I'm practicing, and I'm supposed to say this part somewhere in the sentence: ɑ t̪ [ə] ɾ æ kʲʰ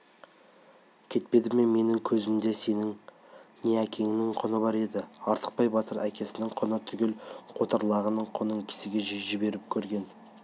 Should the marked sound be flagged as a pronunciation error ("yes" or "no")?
no